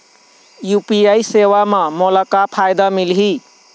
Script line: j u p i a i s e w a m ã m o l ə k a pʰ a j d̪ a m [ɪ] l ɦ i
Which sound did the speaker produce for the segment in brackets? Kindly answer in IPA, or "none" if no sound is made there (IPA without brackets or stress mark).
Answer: i